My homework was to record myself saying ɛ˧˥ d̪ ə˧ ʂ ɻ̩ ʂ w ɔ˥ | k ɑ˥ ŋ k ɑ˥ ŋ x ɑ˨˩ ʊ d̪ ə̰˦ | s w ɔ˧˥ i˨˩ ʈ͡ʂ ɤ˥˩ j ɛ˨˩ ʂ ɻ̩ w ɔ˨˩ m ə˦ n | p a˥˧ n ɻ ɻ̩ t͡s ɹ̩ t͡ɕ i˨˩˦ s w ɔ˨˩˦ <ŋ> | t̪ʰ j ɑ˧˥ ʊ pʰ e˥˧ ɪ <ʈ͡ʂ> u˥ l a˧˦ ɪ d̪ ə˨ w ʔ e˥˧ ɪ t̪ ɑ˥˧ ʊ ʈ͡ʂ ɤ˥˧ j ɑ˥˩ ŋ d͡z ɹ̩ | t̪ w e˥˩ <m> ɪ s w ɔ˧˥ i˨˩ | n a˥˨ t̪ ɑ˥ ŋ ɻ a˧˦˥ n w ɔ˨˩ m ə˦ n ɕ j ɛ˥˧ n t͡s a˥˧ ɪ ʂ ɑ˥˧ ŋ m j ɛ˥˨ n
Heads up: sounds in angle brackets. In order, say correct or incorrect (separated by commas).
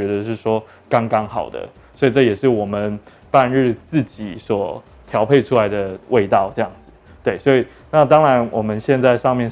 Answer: incorrect, incorrect, incorrect